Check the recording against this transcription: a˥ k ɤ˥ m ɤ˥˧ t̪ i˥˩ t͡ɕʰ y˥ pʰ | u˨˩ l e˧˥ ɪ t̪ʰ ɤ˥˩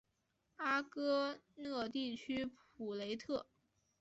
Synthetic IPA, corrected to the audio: a˥ k ɤ˥ n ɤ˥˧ t̪ i˥˩ t͡ɕʰ y˥ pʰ | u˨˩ l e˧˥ ɪ t̪ʰ ɤ˥˩